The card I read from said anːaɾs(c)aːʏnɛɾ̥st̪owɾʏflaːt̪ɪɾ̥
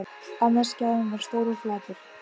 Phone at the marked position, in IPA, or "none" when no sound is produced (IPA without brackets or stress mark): c